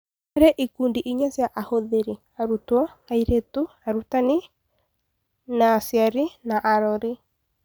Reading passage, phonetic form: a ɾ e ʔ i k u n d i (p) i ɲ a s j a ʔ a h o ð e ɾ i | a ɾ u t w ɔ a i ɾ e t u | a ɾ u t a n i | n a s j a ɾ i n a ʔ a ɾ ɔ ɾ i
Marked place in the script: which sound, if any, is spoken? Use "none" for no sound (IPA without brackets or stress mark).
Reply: ʔ